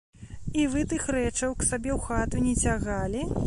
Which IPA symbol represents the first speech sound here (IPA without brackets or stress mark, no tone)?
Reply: i